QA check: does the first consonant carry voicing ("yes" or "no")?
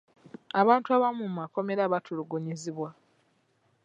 yes